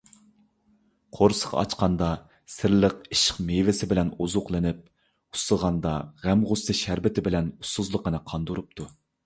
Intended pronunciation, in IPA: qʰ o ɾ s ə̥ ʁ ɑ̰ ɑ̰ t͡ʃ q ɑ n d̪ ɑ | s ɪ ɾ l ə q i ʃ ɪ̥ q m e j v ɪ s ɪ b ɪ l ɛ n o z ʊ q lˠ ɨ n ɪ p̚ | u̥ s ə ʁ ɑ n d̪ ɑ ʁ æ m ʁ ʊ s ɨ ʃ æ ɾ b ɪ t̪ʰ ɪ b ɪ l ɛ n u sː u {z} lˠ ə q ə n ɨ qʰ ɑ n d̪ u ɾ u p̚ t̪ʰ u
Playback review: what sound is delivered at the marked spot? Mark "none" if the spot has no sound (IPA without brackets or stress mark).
z